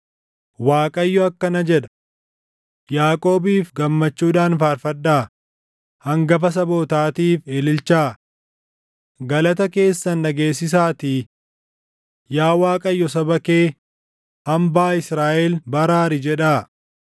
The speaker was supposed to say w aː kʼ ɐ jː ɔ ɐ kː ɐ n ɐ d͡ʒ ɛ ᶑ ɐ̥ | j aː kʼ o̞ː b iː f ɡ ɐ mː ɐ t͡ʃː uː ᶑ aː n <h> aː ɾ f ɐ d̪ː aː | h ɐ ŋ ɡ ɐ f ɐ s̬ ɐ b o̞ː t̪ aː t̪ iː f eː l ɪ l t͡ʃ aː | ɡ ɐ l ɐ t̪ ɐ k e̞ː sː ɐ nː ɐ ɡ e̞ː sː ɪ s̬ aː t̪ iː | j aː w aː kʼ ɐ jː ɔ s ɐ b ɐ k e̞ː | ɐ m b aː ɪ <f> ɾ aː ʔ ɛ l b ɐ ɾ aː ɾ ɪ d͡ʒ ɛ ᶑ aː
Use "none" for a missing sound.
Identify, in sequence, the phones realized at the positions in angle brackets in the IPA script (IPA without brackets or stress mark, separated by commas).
f, s